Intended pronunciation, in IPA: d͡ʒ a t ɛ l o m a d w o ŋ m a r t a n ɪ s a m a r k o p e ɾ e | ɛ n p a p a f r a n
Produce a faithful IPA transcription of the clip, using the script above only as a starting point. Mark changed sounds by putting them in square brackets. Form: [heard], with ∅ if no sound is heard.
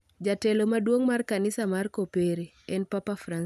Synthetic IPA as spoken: d͡ʒ a t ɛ l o m a d w o ŋ m a r [k] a n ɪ s a m a r k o p e ɾ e | ɛ n p a p a f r a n